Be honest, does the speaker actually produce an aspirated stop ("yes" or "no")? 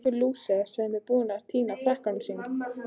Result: yes